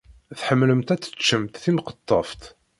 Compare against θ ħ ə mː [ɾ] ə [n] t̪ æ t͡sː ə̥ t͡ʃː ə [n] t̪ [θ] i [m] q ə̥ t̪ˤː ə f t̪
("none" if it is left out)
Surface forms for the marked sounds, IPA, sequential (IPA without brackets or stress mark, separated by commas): l, m, m, θ, m